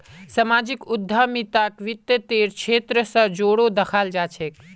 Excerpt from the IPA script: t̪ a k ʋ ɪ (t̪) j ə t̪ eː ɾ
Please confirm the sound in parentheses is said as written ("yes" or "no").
yes